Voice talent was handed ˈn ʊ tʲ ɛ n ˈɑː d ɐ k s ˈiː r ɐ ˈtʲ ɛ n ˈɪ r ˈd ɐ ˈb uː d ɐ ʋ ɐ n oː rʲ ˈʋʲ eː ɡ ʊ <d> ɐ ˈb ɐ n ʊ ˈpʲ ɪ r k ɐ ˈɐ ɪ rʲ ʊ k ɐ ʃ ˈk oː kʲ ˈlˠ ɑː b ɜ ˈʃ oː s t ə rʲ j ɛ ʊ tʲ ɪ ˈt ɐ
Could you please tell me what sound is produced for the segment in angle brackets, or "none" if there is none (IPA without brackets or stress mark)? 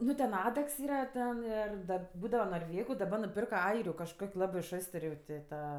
d